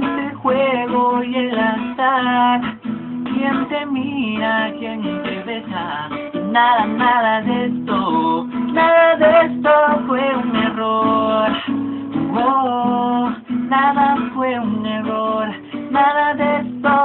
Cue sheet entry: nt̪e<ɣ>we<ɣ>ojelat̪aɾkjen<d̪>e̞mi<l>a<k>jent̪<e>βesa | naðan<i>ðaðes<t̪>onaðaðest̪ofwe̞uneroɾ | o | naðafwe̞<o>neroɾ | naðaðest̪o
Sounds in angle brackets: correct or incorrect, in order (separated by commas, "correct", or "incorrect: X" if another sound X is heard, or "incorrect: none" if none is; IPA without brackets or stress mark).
incorrect: x, correct, incorrect: t̪, incorrect: ɾ, correct, correct, incorrect: a, correct, incorrect: u